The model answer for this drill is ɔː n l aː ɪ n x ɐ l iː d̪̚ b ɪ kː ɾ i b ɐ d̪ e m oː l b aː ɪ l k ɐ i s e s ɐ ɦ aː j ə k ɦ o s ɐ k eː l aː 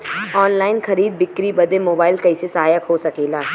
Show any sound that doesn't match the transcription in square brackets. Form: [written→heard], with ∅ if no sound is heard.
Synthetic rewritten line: ɔː n l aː ɪ n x ɐ [l→ɾ] iː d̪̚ b ɪ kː ɾ i b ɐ d̪ e m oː [l→∅] b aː ɪ l k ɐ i s e s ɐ ɦ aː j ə k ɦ o s ɐ k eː l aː

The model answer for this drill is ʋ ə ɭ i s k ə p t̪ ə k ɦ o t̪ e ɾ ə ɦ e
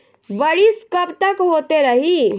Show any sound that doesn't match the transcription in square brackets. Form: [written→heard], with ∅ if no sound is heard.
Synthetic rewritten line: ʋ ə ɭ i s k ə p t̪ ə k ɦ o t̪ e ɾ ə ɦ [e→i]

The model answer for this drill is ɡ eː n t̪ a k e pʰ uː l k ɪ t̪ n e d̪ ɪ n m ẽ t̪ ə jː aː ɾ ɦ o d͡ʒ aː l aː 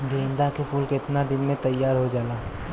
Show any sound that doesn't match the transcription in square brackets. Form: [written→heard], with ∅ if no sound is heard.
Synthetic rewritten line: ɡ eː n [t̪→d̪] a k e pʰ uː l k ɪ t̪ n [e→a] d̪ ɪ n m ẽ t̪ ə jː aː ɾ ɦ o d͡ʒ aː l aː

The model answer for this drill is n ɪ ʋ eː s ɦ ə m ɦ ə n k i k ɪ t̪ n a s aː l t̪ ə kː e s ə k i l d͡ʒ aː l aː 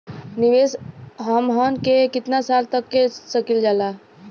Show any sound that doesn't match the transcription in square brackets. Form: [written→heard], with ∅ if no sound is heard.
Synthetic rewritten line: n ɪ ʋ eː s ɦ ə m ɦ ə n k [i→e] k ɪ t̪ n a s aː l t̪ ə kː e s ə k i l d͡ʒ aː l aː

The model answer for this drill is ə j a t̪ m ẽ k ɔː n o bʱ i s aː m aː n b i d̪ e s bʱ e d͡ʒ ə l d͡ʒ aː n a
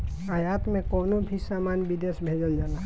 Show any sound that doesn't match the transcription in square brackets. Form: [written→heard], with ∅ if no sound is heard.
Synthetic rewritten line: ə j a t̪ m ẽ k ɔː n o bʱ i s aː m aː n b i d̪ e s bʱ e d͡ʒ ə l d͡ʒ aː n a

